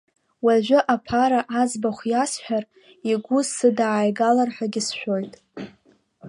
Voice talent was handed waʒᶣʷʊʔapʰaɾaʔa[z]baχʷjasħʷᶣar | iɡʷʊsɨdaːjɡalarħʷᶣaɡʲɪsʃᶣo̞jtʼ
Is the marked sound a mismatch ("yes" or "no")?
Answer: no